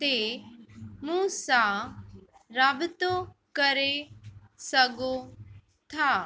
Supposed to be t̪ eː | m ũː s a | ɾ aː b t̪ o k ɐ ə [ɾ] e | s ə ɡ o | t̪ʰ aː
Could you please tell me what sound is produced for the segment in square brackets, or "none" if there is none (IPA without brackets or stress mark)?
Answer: ɾ